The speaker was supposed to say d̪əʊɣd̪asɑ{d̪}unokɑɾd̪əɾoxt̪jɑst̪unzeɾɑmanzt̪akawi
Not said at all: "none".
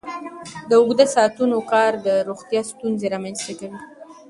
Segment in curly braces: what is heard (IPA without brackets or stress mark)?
t̪